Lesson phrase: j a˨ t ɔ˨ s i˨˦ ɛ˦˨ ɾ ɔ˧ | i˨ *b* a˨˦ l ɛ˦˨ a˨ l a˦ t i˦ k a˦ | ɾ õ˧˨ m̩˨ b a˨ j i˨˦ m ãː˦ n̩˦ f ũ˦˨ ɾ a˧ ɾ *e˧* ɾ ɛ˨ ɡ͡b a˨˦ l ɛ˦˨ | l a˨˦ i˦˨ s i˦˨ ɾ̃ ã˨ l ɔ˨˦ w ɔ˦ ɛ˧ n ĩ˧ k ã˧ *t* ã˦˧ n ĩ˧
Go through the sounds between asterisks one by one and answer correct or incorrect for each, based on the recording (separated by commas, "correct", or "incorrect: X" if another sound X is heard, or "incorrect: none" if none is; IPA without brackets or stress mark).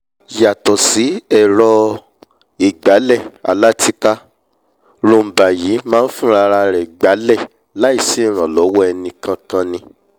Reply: incorrect: ɡ͡b, incorrect: a˧, incorrect: k